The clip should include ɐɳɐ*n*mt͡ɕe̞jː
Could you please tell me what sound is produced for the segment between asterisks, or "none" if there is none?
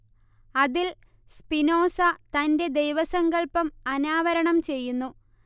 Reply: none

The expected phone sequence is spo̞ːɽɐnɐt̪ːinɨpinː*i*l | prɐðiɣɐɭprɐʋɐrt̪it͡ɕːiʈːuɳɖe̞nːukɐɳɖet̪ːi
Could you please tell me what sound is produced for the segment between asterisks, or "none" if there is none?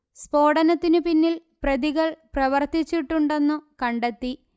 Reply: i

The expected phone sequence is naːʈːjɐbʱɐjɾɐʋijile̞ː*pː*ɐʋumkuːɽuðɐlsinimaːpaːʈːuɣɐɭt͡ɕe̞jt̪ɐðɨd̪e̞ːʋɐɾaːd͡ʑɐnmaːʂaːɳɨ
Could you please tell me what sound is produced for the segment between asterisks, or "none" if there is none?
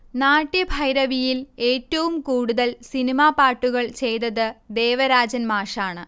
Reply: tː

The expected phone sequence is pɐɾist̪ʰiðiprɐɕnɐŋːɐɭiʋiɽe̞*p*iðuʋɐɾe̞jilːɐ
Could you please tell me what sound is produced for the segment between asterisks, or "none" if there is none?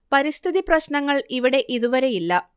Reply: ʔ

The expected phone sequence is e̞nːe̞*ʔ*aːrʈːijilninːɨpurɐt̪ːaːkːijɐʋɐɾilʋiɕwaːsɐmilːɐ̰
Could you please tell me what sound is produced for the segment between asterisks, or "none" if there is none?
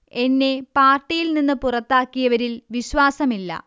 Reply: p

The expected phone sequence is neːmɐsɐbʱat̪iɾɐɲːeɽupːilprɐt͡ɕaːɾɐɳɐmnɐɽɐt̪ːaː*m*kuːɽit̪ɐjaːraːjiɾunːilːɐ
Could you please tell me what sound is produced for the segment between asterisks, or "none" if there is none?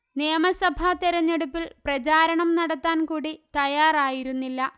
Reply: n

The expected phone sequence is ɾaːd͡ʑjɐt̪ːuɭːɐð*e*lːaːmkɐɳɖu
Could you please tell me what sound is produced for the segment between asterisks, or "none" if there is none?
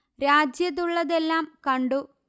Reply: e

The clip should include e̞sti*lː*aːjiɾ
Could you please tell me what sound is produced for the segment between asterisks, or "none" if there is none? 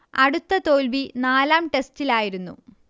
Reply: l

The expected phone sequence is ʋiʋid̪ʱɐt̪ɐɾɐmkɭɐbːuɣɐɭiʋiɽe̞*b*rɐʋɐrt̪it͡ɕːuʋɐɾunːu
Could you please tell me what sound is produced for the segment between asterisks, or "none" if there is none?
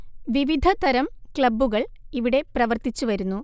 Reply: p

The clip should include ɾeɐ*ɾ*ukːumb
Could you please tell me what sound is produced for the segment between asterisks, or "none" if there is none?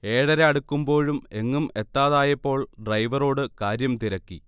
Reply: ɽ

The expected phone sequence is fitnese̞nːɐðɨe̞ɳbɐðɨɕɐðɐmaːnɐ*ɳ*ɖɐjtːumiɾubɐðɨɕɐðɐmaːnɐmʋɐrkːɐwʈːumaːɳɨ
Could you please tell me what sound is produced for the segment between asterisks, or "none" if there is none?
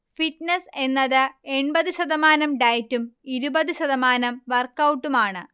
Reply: m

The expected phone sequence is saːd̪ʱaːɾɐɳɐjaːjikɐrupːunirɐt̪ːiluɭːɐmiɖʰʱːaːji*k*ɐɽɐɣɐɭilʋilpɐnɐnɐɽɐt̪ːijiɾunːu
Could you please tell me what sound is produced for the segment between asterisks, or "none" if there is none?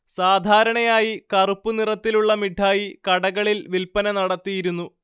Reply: k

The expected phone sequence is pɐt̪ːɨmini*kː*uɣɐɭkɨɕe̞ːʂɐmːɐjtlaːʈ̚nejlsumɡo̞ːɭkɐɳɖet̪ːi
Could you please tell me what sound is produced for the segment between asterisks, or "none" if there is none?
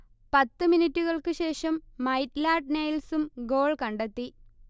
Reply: tː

